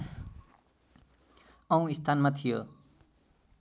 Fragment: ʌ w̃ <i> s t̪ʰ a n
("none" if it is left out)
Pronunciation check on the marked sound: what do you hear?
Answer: i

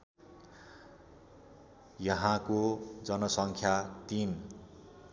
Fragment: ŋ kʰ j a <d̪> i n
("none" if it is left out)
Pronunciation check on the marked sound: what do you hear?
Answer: t̪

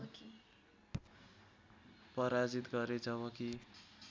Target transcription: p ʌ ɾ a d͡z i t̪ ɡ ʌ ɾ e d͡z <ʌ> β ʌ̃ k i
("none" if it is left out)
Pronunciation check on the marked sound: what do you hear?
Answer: ʌ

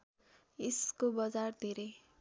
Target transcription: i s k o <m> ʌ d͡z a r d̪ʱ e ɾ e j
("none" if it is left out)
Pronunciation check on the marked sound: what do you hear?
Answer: b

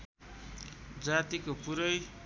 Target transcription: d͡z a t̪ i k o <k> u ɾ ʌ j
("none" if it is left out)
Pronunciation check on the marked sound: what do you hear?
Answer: p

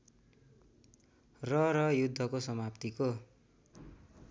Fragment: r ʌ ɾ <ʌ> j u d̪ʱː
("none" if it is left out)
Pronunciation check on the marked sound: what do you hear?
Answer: ʌ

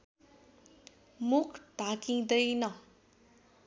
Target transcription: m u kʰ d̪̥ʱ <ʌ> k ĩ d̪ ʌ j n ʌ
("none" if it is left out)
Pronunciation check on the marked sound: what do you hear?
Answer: a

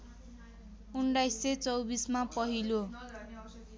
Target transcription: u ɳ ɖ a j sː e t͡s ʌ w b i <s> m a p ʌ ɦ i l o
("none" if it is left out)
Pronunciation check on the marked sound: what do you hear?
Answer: s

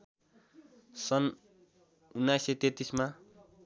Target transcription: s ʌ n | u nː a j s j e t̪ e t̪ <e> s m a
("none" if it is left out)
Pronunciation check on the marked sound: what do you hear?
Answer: i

